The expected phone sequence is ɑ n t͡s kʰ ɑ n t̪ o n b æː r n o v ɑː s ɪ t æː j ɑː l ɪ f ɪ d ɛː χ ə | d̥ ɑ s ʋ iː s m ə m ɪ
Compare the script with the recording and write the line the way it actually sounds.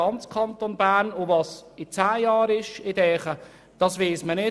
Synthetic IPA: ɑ n t͡s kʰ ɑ n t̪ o n b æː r n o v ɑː s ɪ t͡s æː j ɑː ɾ ɪ ʃ ɪ d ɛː χ ə | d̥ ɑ s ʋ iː s m ə n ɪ